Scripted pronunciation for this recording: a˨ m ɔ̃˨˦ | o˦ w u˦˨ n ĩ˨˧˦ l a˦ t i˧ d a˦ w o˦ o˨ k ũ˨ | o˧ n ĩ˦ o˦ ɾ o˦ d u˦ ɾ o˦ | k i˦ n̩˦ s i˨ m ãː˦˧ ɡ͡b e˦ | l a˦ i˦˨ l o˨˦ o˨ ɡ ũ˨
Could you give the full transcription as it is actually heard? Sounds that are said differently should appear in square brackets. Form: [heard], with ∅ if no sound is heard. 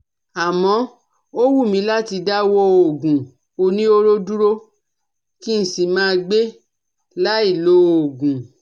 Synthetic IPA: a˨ m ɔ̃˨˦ | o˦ w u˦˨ [m] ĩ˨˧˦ l a˦ t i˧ d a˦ w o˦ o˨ [ɡ] ũ˨ | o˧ n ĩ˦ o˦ ɾ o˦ d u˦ ɾ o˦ | k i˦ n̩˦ s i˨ m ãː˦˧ ɡ͡b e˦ | l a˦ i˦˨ l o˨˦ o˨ ɡ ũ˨